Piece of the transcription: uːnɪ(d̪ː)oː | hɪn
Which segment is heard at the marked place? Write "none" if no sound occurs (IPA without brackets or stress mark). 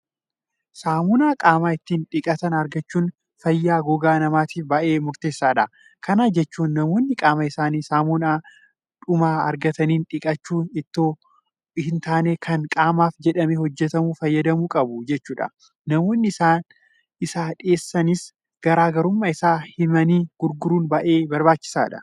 t̪ː